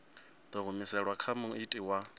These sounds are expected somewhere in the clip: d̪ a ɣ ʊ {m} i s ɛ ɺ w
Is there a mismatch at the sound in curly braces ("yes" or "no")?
no